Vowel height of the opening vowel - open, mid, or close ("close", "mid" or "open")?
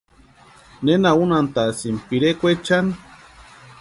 mid